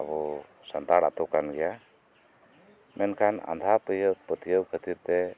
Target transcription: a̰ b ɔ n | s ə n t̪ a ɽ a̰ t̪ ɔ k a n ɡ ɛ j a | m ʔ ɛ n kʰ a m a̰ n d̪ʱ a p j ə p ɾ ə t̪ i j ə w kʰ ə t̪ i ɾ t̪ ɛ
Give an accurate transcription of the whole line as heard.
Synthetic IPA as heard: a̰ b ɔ | s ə n t̪ a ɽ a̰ t̪ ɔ k a n ɡ ɛ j a | m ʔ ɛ n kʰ a n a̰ n d̪ʱ a p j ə p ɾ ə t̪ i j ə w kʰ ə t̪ i ɾ t̪ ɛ

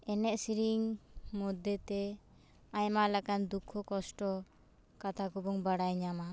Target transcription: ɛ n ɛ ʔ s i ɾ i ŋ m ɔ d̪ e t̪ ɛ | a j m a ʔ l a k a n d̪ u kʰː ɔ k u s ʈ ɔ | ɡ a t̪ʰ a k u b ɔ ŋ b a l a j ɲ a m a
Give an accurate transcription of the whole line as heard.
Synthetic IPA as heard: ɛ n ɛ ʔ s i ɾ i ŋ m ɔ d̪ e t̪ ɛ | a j m a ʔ l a k a n d̪ u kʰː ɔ k ɔ s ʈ ɔ | k a t̪ʰ a k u b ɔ ŋ b a ɽ a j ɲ a m a

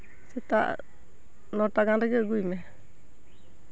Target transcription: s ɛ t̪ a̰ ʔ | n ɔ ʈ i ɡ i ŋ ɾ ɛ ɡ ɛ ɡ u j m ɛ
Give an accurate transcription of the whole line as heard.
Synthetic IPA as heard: s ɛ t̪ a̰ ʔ | n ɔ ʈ a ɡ a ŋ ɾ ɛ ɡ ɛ ɡ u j m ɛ

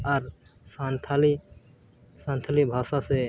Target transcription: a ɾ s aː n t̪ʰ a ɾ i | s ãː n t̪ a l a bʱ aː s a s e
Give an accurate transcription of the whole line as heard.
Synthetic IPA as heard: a ɾ s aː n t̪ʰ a l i | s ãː n t̪ʰ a l i bʱ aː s a s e

